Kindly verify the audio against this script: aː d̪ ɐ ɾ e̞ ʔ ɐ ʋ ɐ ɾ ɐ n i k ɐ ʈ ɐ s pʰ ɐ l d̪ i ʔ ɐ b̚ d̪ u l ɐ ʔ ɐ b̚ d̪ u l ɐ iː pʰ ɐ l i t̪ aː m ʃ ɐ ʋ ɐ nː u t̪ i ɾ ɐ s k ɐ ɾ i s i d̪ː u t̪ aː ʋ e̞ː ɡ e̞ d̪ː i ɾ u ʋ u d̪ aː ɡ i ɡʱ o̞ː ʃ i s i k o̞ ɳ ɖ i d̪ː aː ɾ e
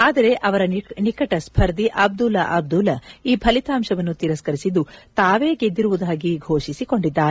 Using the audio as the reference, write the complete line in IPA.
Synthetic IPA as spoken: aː d̪ ɐ ɾ e̞ ʔ ɐ ʋ ɐ ɾ ɐ n i k ɐ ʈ ɐ s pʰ ɐ ɾ d̪ i ʔ ɐ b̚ d̪ u l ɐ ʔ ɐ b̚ d̪ u l ɐ iː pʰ ɐ l i t̪ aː m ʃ ɐ ʋ ɐ nː u t̪ i ɾ ɐ s k ɐ ɾ i s i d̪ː u t̪ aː ʋ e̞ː ɡ e̞ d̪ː i ɾ u ʋ u d̪ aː ɡ i ɡʱ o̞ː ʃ i s i k o̞ ɳ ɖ i d̪ː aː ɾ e